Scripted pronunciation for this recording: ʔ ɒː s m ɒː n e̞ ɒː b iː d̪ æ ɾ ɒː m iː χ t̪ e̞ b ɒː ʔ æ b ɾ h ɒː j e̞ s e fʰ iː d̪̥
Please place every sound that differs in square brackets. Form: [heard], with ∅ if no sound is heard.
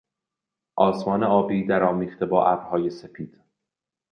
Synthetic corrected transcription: ʔ ɒː s m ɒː n e̞ ɒː b iː d̪ æ ɾ ɒː m iː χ t̪ e̞ b ɒː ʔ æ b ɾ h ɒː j e̞ s e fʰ iː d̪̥

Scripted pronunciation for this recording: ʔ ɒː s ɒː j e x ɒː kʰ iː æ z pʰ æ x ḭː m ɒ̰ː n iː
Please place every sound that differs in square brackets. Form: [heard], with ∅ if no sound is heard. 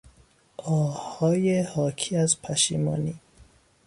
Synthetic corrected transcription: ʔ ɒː [h] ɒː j e [h] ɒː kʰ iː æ z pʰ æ [ʃ] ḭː m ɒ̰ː n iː

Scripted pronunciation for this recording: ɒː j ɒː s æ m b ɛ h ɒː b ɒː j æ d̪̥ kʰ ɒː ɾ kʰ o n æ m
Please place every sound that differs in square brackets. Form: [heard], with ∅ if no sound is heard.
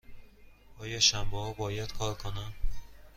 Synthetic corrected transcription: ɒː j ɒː [ʃ] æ m b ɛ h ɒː b ɒː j æ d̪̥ kʰ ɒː ɾ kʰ o n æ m

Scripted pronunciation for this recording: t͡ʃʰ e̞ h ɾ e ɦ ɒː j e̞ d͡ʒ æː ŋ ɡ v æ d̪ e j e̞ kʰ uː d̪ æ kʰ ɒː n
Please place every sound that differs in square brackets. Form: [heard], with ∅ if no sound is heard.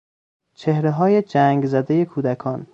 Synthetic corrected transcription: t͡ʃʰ e̞ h ɾ e ɦ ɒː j e̞ d͡ʒ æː ŋ ɡ [z] æ d̪ e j e̞ kʰ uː d̪ æ kʰ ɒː n

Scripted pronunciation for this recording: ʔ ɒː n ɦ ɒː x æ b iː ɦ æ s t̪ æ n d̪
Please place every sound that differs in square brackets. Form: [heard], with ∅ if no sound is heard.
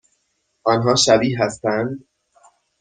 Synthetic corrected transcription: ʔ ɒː n ɦ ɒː [ʃ] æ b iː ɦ æ s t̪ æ n d̪

